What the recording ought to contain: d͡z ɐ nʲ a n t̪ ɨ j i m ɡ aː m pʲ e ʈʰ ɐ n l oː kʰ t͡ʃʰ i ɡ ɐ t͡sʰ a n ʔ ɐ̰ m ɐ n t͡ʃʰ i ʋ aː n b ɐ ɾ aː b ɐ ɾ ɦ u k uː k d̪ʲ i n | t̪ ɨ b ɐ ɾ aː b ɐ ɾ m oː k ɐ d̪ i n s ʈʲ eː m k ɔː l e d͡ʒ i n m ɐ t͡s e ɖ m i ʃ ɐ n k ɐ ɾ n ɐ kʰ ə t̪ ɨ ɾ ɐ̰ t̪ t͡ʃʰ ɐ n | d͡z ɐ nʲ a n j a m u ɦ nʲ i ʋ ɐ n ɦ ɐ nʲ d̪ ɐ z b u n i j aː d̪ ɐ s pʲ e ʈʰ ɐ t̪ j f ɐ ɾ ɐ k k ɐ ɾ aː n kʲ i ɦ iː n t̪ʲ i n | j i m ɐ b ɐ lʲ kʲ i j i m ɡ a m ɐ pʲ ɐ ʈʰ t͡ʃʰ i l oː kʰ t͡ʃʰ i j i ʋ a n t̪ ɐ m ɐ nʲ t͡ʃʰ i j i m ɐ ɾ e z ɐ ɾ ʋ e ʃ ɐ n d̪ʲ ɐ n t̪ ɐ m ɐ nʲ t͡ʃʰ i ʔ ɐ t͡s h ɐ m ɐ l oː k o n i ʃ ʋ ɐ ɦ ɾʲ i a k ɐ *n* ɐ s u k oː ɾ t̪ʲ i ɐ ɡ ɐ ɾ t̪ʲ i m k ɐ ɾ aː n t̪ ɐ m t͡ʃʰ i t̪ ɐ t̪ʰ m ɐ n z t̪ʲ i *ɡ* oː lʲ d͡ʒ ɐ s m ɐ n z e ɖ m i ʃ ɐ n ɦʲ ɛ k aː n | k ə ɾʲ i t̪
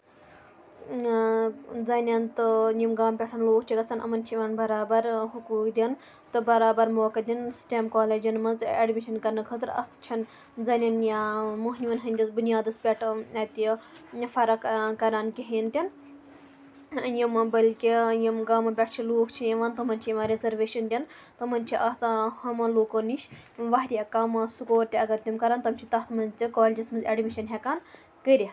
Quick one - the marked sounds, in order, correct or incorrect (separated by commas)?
incorrect, incorrect